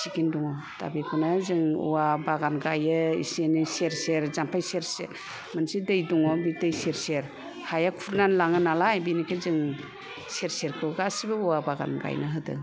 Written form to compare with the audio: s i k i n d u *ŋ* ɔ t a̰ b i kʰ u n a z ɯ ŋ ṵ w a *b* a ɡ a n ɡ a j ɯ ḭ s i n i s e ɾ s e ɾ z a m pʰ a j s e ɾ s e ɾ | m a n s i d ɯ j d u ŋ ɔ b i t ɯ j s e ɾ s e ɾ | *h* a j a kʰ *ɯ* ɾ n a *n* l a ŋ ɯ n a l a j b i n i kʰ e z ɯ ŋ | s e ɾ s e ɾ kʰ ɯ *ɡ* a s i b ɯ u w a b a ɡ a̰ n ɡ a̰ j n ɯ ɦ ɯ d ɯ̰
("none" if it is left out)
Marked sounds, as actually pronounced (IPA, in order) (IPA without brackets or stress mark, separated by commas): ŋ, b, h, u, n, ɡ